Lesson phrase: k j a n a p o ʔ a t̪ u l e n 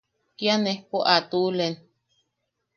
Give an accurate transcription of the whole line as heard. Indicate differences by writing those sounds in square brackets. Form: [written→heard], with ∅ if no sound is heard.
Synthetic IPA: k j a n [a→e] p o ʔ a t̪ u l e n